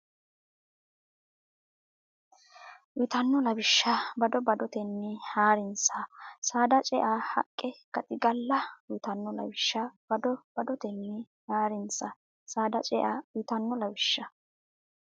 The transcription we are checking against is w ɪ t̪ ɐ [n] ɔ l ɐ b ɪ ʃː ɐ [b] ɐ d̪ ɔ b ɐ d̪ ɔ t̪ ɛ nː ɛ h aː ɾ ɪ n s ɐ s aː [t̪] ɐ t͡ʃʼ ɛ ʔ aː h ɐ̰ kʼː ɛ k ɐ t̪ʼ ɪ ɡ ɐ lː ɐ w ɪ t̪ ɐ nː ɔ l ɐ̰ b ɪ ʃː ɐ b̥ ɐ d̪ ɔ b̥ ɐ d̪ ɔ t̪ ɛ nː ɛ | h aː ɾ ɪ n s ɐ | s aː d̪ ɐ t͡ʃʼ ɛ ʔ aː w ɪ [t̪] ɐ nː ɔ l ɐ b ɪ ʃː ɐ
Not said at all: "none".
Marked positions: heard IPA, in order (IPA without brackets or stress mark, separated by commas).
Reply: nː, b, d̪, t̪